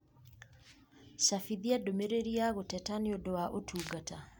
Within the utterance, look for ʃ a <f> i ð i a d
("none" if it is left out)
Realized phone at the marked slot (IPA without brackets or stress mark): f